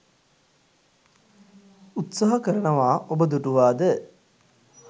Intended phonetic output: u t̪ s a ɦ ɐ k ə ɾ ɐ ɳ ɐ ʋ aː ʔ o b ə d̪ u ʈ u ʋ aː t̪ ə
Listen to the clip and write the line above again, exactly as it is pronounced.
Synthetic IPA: u t̪ s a ɦ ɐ k ə ɾ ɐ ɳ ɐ ʋ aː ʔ o b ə d̪ u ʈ u ʋ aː d̪ ə